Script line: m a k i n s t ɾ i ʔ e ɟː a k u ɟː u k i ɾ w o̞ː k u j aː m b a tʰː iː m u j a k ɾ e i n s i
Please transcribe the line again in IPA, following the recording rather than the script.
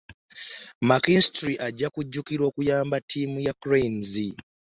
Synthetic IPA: m a k i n s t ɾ i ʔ a ɟː a k u ɟː u k i ɾ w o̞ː k u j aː m b a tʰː iː m u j a k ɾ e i n z i